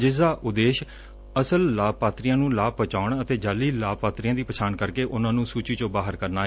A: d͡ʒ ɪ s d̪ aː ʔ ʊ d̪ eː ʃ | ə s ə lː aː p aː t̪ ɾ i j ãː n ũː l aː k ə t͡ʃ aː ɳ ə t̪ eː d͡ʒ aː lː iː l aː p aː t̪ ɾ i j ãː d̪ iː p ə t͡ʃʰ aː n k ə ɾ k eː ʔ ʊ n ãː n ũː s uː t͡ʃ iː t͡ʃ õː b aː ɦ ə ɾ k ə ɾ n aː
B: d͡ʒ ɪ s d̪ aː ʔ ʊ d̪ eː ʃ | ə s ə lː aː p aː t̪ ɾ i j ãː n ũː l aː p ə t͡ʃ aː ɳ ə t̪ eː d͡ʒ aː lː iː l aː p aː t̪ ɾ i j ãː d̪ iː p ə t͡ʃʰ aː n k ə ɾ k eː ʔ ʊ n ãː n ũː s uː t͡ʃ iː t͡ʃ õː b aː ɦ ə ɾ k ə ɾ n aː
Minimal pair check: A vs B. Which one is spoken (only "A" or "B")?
B